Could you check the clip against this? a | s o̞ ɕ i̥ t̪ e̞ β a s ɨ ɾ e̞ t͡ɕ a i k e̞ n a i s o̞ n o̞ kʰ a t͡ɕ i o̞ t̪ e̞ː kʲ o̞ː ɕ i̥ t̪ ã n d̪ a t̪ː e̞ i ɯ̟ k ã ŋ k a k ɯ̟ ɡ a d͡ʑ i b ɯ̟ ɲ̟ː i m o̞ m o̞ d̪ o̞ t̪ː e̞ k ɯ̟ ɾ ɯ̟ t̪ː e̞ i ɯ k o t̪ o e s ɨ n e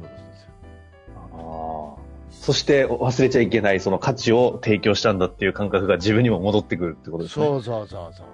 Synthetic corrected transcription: a | s o̞ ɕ i̥ t̪ e̞ β a s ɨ ɾ e̞ t͡ɕ a i k e̞ n a i s o̞ n o̞ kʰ a t͡ɕ i o̞ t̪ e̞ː kʲ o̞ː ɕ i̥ t̪ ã n d̪ a t̪ː e̞ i ɯ̟ k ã ŋ k a k ɯ̟ ɡ a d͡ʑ i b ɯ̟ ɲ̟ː i m o̞ m o̞ d̪ o̞ t̪ː e̞ k ɯ̟ ɾ ɯ̟ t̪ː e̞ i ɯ k o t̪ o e s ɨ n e